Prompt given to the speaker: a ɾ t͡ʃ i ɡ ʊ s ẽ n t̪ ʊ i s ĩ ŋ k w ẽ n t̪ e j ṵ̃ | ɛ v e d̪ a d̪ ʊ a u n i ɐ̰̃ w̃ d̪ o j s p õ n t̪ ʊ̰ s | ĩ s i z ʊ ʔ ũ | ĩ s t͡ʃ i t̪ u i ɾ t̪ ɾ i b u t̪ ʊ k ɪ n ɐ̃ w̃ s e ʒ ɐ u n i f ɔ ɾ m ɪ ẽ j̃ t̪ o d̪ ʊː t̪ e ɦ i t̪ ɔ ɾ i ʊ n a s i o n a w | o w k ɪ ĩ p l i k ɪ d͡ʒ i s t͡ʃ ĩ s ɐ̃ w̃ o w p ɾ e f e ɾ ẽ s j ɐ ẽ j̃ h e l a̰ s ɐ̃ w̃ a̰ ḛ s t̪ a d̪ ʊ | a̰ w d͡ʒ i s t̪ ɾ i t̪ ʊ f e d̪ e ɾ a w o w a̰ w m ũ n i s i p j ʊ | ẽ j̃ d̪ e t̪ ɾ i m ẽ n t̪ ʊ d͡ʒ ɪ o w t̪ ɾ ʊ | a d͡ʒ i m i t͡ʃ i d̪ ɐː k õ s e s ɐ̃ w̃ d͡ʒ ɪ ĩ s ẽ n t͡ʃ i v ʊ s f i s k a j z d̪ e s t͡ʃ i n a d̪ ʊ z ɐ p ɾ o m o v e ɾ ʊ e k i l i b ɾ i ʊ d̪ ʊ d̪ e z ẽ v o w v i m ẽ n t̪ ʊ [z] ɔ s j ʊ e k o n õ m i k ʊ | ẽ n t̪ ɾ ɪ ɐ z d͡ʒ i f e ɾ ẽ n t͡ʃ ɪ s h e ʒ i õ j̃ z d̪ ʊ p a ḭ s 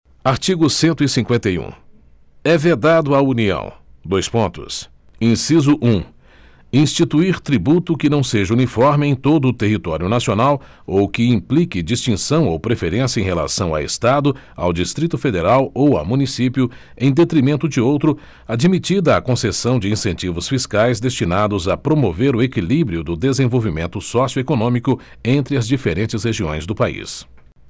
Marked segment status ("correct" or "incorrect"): incorrect